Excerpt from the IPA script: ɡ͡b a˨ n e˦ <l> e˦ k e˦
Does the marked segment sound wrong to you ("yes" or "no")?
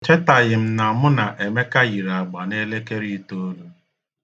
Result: no